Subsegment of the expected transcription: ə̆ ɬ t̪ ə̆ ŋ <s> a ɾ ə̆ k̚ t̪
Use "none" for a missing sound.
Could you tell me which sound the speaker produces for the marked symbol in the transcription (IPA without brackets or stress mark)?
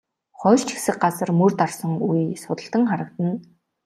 χ